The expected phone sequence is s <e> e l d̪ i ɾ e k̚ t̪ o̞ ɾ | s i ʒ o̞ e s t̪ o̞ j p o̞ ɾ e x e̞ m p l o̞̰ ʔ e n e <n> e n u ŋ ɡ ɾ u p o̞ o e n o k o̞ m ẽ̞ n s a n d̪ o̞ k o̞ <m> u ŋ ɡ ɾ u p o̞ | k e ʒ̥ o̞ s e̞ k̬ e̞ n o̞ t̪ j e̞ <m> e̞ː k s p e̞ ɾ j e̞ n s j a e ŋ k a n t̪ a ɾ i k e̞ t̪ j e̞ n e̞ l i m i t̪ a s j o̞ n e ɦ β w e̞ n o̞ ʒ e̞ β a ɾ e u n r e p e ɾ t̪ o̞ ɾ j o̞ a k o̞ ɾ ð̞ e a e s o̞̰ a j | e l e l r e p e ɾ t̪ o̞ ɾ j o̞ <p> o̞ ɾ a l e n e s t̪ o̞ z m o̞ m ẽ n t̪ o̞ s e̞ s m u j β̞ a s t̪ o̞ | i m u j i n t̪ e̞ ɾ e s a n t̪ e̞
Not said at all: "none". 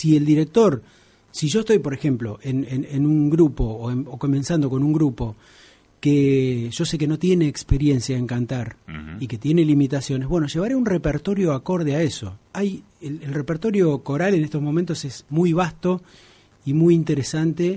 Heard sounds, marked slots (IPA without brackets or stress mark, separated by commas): i, n, n, n, k